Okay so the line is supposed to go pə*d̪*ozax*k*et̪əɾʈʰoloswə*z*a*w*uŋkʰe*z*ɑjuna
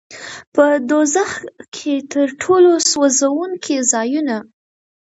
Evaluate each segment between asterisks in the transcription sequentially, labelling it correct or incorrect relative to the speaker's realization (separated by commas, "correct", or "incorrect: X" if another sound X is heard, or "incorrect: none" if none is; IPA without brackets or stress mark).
correct, incorrect: kʰ, correct, correct, correct